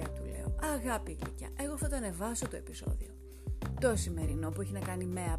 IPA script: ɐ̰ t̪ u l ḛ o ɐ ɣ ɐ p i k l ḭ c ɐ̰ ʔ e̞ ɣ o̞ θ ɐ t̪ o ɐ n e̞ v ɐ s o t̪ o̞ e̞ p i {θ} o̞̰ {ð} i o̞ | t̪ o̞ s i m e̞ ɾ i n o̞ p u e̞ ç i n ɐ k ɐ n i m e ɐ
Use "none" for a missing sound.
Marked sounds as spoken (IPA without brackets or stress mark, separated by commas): s, ð